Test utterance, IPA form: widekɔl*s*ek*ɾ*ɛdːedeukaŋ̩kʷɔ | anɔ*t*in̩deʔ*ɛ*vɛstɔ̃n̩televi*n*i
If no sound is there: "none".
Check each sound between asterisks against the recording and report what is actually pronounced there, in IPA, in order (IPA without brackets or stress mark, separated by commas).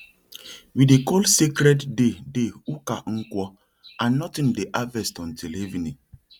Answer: s, ɾ, t, a, n